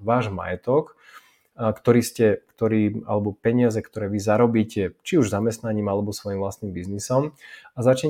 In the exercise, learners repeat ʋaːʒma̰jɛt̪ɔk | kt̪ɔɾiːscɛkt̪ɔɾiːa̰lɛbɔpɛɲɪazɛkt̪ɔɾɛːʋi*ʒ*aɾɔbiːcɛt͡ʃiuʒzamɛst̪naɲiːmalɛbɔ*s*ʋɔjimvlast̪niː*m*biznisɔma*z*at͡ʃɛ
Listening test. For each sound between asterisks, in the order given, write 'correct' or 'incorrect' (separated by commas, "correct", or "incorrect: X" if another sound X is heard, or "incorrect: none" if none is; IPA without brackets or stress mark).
incorrect: z, correct, correct, correct